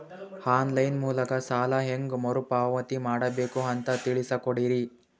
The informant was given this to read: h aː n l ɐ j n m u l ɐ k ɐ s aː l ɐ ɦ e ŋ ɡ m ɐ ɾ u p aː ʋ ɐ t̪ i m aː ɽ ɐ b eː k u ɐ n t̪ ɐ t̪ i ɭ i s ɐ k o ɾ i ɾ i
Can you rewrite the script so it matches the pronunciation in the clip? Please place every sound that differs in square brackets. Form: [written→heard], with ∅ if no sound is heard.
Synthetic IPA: h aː n l ɐ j n m [u→uː] l ɐ k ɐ s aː l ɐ ɦ e ŋ ɡ m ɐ ɾ u p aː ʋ ɐ t̪ i m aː ɽ ɐ b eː k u ɐ n t̪ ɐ t̪ i ɭ i s ɐ k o [ɾ→ɽ] i ɾ i